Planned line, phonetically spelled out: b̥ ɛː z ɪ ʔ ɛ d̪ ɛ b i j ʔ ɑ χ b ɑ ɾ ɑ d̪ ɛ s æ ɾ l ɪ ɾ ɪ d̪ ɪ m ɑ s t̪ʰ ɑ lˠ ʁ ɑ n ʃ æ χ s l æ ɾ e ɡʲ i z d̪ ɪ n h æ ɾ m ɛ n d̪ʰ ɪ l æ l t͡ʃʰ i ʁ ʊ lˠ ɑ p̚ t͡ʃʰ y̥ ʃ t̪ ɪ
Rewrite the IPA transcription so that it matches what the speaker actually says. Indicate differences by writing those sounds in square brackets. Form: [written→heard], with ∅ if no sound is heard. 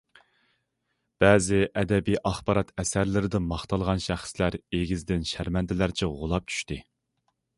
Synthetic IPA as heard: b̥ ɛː z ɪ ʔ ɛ d̪ ɛ b i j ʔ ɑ χ b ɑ ɾ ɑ [d̪→t̪] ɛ s æ ɾ l ɪ ɾ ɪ d̪ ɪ m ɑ [s→χ] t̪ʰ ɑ lˠ ʁ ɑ n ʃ æ χ s l æ ɾ e ɡʲ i z d̪ ɪ n [h→ʃ] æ ɾ m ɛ n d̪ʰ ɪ l æ [l→ɾ] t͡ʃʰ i ʁ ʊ lˠ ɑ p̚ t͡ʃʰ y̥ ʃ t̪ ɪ